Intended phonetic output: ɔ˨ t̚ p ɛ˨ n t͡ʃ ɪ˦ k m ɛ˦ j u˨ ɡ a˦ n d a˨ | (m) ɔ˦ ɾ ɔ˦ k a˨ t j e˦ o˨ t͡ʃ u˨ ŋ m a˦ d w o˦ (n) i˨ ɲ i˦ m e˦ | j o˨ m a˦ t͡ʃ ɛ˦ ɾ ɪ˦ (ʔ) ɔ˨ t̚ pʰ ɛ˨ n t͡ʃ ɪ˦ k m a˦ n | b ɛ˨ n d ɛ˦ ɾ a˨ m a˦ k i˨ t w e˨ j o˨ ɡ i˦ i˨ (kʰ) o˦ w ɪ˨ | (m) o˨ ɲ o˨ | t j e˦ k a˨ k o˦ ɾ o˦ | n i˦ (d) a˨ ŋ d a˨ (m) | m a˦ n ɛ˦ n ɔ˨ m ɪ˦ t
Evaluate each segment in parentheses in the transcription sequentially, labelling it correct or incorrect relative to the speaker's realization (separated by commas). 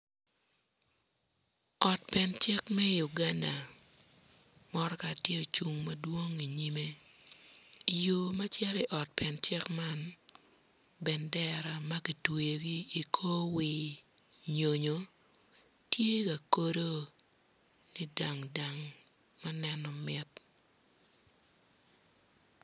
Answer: correct, incorrect, correct, correct, incorrect, correct, incorrect